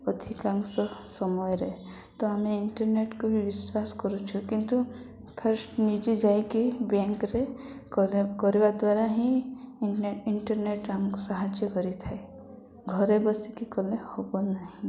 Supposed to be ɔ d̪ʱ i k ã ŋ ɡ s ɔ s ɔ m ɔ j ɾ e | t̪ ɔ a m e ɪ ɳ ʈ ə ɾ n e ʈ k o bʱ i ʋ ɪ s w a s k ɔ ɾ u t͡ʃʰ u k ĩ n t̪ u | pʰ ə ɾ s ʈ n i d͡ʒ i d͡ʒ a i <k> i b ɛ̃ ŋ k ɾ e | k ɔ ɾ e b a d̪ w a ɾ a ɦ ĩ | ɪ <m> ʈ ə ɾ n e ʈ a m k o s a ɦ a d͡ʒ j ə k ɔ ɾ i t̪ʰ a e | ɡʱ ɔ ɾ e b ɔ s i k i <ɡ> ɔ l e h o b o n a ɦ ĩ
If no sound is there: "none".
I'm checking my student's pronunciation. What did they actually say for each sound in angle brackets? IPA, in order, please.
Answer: k, ɳ, k

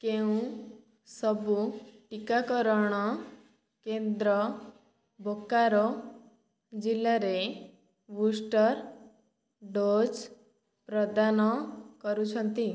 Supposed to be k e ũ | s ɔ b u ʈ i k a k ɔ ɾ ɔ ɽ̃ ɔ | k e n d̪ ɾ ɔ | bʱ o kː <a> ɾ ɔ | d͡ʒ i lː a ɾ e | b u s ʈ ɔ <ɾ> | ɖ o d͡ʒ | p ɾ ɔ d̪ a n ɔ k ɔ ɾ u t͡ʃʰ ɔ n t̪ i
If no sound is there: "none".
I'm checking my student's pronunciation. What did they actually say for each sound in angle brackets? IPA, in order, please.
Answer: a, ɾ

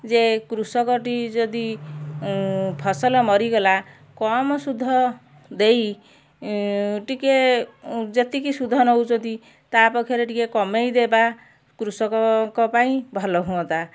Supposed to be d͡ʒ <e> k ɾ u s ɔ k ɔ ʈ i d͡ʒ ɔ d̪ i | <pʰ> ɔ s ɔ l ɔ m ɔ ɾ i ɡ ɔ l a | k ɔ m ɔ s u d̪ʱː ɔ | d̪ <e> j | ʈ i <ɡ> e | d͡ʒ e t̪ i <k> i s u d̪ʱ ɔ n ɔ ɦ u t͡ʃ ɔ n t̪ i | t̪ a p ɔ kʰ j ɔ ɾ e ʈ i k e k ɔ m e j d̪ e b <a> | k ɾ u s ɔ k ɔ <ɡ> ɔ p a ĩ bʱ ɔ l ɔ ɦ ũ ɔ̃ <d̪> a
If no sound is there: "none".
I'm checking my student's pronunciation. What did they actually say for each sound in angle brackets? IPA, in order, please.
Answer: e, pʰ, e, k, k, a, k, t̪

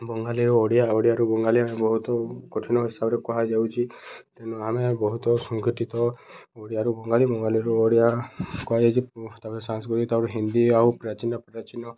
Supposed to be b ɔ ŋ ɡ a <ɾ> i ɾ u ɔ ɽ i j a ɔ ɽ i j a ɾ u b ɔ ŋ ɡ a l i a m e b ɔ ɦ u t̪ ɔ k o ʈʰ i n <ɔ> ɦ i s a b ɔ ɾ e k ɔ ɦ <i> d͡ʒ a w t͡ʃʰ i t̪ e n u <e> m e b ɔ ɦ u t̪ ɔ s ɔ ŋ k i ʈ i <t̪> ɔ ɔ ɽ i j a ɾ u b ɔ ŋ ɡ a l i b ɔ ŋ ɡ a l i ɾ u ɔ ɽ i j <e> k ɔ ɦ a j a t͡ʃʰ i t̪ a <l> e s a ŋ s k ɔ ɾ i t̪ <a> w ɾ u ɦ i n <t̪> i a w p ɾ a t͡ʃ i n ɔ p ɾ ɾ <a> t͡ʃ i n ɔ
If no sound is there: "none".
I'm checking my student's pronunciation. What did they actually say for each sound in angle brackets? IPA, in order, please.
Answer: l, ɔ, a, a, t̪, a, ɾ, a, d̪, a

